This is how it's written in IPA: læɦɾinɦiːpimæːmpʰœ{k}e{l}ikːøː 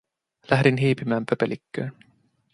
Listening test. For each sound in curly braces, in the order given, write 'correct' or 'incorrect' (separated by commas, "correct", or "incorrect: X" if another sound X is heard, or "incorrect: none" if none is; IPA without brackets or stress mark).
incorrect: p, correct